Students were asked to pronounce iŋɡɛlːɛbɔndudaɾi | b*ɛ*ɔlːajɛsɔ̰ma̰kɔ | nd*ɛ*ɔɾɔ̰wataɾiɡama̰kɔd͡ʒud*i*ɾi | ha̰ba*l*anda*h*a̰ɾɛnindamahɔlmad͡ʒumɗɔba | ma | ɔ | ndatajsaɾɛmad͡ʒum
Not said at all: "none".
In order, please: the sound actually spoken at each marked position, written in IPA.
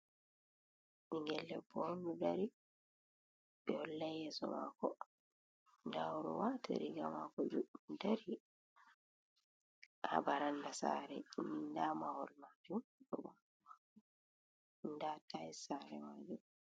ɛ, a, a, ɾ, s

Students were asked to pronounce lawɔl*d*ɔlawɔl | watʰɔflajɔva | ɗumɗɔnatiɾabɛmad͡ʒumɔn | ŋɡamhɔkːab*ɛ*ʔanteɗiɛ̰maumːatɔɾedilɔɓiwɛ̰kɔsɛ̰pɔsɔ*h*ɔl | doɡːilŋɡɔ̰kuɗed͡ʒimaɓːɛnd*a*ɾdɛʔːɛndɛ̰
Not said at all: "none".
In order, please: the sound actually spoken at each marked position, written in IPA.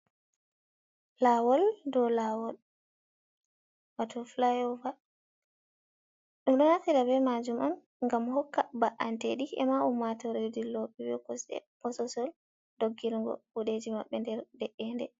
d, a, s, ɛ

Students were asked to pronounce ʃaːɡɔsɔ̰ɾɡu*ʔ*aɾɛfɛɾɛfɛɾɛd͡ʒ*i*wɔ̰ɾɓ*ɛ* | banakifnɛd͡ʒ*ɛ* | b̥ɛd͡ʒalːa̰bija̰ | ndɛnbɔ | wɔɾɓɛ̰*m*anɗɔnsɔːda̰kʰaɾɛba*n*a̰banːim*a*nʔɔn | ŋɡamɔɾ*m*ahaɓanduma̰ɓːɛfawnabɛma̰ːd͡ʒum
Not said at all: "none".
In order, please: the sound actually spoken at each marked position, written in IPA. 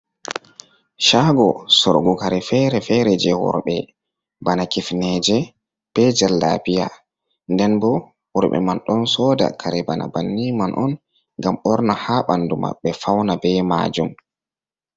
k, ɛ, ɛ, ɛ, m, n, a, n

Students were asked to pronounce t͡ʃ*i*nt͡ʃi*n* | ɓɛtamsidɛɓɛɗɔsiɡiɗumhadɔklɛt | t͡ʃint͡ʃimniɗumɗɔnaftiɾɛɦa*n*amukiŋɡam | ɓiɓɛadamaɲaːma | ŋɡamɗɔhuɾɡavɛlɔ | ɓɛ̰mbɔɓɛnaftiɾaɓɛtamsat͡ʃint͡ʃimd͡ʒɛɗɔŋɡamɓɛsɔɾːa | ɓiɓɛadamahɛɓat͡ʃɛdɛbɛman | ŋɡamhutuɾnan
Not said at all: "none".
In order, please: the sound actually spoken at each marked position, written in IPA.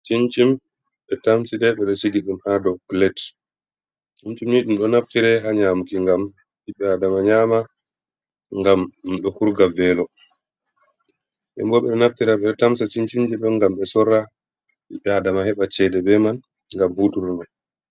i, m, ɲ

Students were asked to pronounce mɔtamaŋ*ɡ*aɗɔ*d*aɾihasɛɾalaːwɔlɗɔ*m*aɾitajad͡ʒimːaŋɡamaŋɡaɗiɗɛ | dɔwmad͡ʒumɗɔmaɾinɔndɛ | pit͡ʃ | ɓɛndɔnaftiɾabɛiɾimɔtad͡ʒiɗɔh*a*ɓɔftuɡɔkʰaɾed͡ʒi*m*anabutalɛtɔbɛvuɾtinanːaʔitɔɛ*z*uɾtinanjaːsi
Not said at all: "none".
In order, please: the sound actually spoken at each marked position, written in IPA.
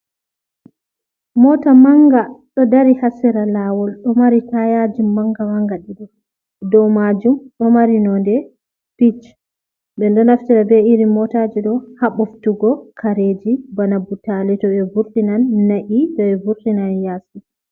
ɡ, d, m, a, b, v

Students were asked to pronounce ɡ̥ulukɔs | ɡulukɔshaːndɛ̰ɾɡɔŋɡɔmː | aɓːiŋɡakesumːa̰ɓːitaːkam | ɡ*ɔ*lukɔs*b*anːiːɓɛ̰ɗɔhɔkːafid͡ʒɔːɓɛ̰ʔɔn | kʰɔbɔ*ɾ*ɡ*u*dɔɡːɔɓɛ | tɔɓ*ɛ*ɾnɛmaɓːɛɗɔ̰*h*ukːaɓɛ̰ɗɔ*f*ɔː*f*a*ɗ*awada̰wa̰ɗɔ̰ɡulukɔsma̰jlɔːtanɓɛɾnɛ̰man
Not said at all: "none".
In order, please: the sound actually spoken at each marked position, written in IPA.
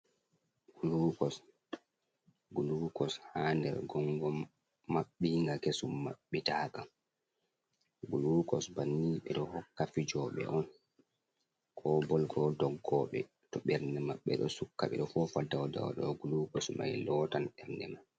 u, b, l, ɔ, ɛ, s, f, f, d

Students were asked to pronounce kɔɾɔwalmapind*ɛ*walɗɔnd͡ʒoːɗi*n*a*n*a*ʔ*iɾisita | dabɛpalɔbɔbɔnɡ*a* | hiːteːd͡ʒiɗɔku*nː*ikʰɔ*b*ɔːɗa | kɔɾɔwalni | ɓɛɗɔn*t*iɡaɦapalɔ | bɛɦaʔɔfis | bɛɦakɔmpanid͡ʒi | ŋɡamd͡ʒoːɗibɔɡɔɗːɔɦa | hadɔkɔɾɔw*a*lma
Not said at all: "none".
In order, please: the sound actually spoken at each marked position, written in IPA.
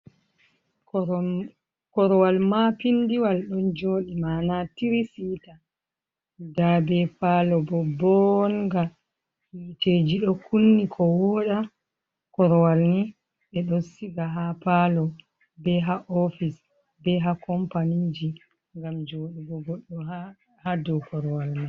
i, m, n, t, a, nː, w, s, a

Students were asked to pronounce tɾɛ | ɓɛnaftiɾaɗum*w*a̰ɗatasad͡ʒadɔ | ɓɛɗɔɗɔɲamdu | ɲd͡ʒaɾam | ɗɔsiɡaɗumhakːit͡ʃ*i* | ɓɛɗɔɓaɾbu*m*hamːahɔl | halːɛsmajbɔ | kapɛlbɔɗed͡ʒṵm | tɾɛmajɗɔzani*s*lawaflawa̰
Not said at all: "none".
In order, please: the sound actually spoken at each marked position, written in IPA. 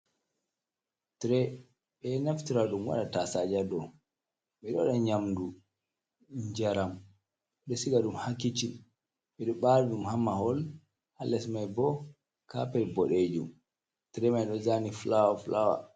w, i, m, f

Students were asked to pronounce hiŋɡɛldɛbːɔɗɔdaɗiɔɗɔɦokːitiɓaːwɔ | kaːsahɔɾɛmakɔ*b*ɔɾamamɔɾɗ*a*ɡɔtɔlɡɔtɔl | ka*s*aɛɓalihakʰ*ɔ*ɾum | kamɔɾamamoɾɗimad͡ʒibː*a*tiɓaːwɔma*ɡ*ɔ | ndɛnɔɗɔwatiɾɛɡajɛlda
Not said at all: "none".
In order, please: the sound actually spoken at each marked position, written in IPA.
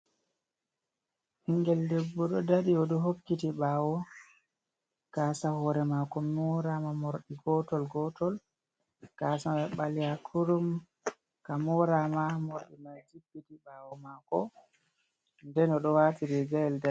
m, i, s, u, i, k

